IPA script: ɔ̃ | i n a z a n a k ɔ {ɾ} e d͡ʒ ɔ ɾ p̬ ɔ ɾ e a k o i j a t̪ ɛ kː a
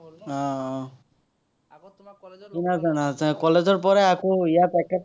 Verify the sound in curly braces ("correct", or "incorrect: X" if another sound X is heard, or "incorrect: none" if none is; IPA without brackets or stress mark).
incorrect: l